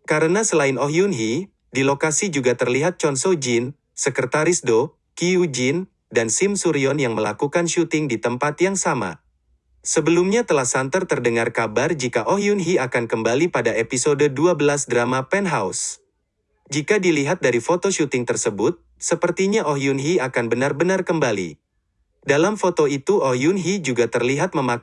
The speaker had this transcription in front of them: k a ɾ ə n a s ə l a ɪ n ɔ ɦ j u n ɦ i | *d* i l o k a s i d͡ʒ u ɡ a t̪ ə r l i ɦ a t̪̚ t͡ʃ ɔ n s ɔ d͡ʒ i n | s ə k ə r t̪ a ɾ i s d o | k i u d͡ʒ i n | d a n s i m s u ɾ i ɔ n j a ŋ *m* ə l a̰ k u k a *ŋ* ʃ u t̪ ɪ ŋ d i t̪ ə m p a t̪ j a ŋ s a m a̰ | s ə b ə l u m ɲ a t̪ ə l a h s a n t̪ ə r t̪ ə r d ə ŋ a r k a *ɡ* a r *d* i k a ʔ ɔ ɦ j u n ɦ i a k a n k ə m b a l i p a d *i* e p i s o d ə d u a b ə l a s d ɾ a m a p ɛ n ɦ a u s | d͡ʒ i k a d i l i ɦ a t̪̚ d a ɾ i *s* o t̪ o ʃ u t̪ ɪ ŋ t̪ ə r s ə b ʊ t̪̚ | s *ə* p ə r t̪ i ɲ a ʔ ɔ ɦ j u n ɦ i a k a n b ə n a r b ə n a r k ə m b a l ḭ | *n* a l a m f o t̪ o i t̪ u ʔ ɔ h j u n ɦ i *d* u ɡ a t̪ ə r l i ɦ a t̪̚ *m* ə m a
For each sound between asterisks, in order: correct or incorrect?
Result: correct, correct, incorrect, incorrect, incorrect, incorrect, incorrect, correct, incorrect, incorrect, correct

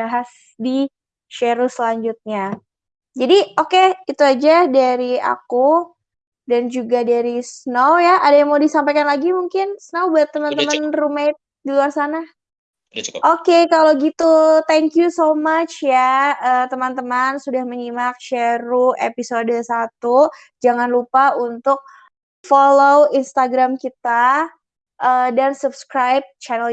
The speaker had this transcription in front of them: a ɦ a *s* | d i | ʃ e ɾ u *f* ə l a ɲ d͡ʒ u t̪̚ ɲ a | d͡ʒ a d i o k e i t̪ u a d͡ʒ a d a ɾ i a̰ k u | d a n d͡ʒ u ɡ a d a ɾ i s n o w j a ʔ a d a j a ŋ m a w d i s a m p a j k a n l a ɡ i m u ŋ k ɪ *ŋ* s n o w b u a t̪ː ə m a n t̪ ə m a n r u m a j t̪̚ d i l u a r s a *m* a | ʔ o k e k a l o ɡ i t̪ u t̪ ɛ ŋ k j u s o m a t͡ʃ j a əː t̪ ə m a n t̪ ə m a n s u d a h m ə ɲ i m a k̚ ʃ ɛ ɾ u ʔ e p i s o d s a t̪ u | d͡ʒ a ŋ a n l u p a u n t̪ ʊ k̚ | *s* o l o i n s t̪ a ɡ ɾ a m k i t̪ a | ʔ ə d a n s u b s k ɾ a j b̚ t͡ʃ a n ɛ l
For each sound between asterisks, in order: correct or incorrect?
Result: correct, incorrect, incorrect, incorrect, incorrect

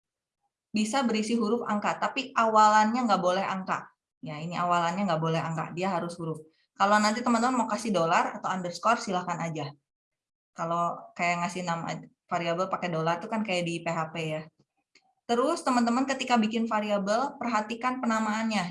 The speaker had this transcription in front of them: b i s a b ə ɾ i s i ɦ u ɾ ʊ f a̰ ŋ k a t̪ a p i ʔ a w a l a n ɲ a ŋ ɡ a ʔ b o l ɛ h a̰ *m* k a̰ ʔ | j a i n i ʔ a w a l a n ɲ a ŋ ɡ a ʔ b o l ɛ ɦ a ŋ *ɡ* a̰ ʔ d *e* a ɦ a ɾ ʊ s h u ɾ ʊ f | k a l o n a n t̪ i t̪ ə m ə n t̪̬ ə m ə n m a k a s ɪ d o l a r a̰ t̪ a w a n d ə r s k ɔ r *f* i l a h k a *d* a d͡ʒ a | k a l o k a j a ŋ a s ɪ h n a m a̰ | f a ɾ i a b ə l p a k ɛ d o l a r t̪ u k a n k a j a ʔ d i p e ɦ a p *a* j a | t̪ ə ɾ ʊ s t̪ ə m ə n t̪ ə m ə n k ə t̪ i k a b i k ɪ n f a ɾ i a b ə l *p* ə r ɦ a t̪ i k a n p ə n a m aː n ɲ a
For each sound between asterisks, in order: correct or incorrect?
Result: incorrect, incorrect, incorrect, incorrect, incorrect, incorrect, correct

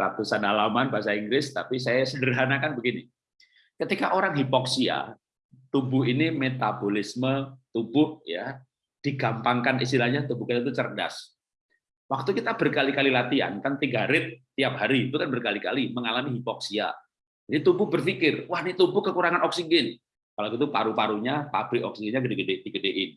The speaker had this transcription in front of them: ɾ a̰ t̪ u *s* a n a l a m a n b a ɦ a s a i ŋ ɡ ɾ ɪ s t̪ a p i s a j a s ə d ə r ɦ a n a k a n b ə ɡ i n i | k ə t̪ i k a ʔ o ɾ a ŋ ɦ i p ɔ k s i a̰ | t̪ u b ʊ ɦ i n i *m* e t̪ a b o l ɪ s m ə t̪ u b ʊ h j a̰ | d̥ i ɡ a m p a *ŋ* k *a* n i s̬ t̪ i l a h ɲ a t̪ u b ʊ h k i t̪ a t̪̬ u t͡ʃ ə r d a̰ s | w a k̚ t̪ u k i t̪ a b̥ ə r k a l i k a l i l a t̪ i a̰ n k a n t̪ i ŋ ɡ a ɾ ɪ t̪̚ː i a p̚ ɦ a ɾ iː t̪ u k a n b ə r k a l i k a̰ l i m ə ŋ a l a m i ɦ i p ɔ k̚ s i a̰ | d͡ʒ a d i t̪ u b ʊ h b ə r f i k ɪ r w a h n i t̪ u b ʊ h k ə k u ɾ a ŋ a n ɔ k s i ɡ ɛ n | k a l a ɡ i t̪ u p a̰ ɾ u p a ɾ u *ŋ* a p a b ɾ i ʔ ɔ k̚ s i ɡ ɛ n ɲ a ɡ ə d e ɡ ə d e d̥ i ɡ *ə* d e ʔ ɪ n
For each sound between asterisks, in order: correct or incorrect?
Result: correct, correct, correct, correct, incorrect, correct

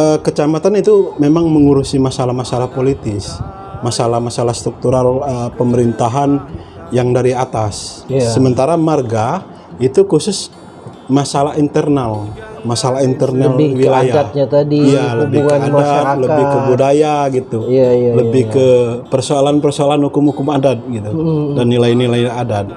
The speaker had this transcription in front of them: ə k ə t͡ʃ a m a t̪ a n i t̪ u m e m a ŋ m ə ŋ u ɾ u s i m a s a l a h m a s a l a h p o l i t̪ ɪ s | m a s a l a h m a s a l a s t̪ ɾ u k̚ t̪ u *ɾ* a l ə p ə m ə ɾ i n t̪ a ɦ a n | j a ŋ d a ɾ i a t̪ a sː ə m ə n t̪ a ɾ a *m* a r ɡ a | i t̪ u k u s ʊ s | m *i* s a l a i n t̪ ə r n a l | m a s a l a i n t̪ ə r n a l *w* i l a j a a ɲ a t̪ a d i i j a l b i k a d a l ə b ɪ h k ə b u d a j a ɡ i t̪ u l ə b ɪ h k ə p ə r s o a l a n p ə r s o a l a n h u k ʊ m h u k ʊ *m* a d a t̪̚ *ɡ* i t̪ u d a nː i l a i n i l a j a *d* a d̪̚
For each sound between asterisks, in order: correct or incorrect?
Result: correct, correct, incorrect, correct, correct, correct, correct

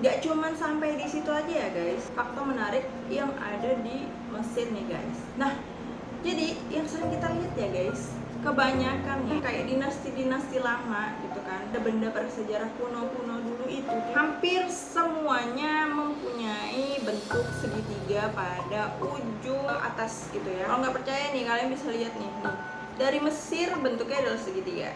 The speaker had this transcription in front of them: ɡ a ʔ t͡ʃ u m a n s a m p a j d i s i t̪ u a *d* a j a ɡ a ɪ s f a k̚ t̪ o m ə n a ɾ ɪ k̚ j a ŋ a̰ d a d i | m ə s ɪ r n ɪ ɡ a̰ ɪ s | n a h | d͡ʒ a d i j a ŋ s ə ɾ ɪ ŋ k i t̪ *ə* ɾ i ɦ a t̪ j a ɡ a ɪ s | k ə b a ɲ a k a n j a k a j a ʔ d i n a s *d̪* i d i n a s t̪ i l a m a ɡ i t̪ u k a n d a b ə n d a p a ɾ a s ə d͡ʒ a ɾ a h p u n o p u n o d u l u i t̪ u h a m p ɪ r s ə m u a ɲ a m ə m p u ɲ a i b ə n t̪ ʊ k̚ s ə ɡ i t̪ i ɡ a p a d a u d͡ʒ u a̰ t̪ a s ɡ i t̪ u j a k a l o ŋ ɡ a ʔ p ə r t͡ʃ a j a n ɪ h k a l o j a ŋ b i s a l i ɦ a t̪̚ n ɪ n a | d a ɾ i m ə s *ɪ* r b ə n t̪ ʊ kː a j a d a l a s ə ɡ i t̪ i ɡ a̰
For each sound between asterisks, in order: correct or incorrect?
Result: incorrect, incorrect, incorrect, correct

